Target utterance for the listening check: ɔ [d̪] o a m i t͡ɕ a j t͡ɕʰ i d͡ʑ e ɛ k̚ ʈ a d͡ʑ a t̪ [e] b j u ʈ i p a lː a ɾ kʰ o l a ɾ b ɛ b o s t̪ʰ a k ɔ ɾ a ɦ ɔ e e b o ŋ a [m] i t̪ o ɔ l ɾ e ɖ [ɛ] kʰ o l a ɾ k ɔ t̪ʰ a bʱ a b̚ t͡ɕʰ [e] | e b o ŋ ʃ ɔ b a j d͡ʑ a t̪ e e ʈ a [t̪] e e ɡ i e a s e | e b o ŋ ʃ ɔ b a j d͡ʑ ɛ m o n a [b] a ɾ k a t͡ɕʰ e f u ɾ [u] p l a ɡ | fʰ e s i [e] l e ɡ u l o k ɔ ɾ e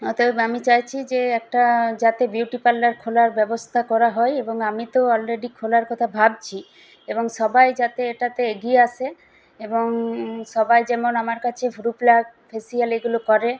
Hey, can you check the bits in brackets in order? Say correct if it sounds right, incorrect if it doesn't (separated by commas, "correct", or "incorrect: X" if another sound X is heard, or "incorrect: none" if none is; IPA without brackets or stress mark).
incorrect: t̪, correct, correct, incorrect: i, incorrect: i, correct, incorrect: m, correct, incorrect: a